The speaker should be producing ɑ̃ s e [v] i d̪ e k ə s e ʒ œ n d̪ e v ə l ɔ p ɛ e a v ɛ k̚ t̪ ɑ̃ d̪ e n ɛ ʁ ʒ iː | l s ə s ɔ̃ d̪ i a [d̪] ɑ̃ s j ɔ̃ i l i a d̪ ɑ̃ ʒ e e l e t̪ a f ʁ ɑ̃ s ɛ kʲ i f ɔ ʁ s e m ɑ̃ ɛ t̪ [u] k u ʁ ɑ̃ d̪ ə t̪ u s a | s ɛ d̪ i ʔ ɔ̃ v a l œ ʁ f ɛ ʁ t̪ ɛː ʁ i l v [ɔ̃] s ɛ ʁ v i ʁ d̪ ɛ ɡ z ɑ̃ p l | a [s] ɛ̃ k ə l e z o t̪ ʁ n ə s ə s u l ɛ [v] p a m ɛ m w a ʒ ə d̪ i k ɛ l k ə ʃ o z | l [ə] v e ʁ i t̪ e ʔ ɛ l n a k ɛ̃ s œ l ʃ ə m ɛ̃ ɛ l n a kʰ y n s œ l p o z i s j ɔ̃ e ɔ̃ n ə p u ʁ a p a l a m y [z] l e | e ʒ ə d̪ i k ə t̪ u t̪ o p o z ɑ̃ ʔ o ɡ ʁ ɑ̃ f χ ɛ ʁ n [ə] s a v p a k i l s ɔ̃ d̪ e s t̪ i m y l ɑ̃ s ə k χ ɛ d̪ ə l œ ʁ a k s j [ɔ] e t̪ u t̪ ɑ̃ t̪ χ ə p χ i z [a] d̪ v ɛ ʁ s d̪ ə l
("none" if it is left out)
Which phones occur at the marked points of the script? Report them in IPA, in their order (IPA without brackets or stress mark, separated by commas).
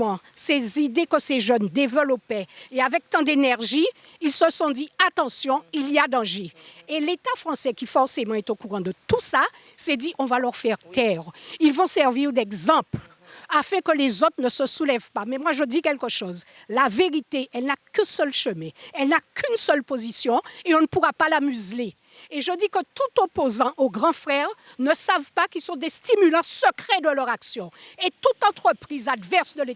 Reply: z, t̪, o, ɔ̃, f, v, a, z, ə, ɔ̃, a